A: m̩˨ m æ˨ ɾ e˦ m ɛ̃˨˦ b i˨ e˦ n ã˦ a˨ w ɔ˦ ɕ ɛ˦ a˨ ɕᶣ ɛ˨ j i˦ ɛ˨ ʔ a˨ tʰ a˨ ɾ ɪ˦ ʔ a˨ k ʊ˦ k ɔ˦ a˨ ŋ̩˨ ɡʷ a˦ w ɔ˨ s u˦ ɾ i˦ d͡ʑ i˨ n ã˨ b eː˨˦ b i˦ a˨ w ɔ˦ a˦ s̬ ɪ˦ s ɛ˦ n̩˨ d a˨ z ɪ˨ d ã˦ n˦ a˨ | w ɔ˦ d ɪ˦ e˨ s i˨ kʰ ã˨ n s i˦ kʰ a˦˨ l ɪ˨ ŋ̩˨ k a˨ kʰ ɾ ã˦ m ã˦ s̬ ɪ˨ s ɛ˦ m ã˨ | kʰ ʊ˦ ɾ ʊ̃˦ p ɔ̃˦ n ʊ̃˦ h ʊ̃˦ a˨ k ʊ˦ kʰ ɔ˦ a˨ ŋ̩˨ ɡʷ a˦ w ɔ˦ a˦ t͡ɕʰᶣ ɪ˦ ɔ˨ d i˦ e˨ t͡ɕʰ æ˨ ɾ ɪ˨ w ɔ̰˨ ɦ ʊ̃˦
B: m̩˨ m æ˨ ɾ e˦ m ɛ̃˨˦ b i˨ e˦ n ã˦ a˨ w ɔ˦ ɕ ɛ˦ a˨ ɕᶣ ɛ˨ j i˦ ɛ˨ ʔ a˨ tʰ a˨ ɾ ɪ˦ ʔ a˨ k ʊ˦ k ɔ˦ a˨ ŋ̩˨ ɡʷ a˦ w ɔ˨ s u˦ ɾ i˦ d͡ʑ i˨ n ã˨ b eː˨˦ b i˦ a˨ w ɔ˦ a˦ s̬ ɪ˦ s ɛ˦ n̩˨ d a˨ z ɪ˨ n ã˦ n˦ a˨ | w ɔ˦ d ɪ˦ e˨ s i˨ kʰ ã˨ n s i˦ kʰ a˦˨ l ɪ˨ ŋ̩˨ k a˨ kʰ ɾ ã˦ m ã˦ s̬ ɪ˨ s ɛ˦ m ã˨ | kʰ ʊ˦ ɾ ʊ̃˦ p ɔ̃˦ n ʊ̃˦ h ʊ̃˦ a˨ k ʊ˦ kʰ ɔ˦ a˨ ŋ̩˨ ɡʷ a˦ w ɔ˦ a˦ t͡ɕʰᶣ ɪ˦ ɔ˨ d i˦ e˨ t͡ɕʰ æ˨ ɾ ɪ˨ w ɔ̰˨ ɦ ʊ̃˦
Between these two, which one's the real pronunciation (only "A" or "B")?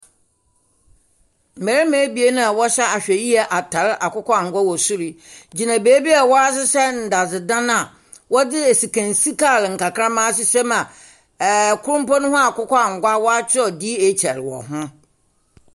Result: A